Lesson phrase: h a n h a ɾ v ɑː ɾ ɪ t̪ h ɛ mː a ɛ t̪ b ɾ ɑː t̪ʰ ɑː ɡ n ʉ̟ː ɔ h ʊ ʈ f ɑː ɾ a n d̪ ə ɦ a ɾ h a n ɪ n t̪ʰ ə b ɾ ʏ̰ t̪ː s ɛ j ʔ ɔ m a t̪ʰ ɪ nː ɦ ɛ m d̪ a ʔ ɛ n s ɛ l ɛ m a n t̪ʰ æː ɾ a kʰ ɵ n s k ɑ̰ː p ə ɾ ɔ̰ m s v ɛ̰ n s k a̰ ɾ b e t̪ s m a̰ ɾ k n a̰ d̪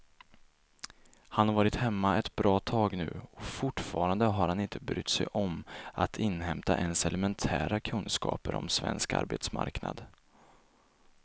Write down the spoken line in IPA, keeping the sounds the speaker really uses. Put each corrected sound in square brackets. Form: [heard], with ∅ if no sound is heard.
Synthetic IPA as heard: h a n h a ɾ v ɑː ɾ ɪ t̪ h ɛ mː a ɛ t̪ b ɾ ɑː t̪ʰ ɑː ɡ n ʉ̟ː ɔ [f] ʊ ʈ f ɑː ɾ a n d̪ ə ɦ a ɾ h a n ɪ n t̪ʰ ə b ɾ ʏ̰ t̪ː s ɛ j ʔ ɔ m a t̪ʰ ɪ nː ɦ ɛ m [t̪] a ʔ ɛ n s ɛ l ɛ m [ɛ] n t̪ʰ æː ɾ a kʰ ɵ n s k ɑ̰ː p ə ɾ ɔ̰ m s v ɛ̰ n s k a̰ ɾ b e t̪ s m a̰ ɾ k n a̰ d̪